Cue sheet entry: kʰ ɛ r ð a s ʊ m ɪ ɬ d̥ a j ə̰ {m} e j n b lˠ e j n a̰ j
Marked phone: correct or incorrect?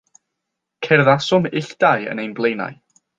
incorrect